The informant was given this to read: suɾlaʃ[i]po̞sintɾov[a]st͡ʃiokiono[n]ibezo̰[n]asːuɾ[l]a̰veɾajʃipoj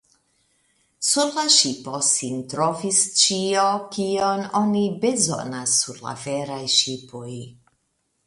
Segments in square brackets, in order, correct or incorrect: correct, incorrect: i, correct, correct, correct

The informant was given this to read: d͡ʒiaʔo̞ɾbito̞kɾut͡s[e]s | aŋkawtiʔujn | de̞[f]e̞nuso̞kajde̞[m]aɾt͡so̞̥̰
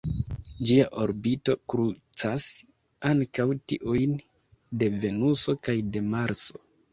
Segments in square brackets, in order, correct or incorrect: incorrect: a, incorrect: v, correct

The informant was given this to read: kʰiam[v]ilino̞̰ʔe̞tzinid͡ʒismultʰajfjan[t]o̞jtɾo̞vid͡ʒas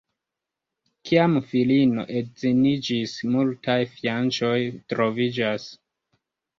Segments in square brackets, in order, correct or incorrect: incorrect: f, incorrect: t͡ʃ

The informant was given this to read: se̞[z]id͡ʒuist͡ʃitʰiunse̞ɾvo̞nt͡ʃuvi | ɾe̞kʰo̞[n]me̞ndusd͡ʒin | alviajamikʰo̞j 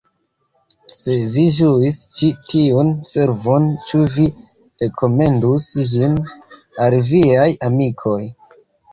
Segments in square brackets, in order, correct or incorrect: incorrect: v, incorrect: none

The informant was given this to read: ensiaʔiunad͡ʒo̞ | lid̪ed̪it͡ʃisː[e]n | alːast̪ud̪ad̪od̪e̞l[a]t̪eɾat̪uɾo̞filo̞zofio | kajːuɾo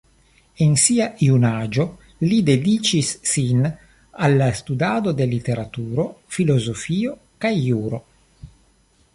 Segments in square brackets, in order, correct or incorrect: incorrect: i, incorrect: i

